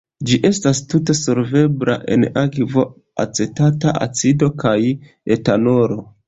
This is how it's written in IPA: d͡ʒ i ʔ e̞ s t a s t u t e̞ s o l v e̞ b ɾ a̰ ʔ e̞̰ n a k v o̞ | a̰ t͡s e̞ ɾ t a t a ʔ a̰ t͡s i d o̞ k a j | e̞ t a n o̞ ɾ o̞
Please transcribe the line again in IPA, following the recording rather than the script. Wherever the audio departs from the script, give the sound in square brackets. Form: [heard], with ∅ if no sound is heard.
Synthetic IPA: d͡ʒ i ʔ e̞ s t a s t u t e̞ s o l v e̞ b ɾ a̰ ʔ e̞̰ n a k v o̞ | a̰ t͡s e̞ [∅] t a t a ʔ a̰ t͡s i d o̞ k a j | e̞ t a n o̞ ɾ o̞